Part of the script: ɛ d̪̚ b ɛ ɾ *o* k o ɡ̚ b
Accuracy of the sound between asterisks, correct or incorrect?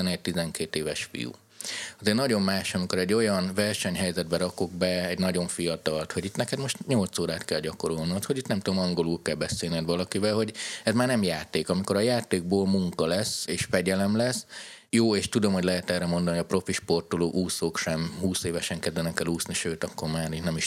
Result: incorrect